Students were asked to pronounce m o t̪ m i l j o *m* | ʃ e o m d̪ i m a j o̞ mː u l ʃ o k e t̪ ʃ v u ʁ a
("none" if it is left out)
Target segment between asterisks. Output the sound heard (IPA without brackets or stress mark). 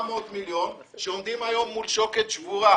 n